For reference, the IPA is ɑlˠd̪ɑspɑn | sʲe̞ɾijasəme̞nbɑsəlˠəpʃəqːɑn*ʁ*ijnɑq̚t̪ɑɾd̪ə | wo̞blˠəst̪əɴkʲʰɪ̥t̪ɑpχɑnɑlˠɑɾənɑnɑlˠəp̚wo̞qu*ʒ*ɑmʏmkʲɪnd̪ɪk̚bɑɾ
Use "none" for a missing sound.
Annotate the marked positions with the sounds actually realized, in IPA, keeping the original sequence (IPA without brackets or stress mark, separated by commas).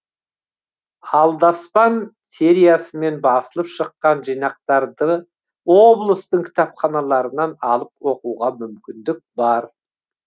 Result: ʒ, ʁ